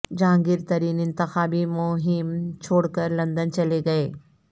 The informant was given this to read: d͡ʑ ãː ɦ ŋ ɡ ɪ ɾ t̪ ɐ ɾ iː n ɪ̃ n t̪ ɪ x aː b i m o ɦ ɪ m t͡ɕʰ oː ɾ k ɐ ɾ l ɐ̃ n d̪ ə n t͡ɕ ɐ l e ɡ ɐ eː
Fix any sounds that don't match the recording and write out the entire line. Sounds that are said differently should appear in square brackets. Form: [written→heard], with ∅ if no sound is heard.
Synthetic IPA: d͡ʑ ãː [ɦ→∅] ŋ ɡ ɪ ɾ t̪ ɐ ɾ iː n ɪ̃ n t̪ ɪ x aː b i m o ɦ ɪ m t͡ɕʰ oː [ɾ→ɽ] k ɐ ɾ l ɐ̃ n d̪ ə n t͡ɕ ɐ l e ɡ ɐ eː